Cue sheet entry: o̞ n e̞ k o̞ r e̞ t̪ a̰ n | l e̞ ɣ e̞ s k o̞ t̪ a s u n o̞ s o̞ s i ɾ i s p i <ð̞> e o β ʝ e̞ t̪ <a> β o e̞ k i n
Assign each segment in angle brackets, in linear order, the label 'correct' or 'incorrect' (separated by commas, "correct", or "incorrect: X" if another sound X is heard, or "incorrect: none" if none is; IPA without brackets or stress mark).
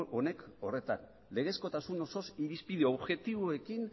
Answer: correct, incorrect: i